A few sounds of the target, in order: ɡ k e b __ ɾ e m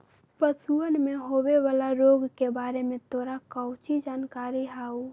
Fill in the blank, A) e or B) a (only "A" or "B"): B